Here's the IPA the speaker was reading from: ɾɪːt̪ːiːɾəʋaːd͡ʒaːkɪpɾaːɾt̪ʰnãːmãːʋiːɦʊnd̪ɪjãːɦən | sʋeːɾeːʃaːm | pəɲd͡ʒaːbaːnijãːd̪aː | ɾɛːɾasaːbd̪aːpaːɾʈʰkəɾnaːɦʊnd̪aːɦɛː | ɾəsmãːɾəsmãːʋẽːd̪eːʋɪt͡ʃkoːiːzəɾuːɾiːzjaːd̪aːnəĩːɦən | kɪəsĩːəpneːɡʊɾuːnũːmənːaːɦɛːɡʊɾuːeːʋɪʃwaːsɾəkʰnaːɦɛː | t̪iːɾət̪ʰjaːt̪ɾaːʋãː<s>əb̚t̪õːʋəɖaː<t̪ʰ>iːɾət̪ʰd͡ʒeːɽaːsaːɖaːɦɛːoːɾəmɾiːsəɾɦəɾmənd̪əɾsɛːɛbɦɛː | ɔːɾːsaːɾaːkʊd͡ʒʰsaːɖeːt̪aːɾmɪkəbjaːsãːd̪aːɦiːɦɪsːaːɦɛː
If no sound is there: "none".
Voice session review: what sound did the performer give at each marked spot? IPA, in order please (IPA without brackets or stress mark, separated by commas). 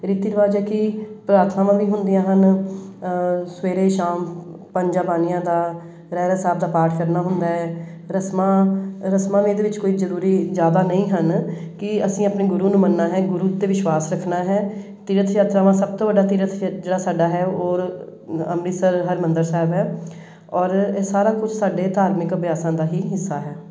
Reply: s, t̪